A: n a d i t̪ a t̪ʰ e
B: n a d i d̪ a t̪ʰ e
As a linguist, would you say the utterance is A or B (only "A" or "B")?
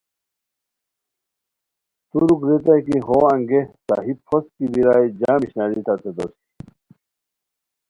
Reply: A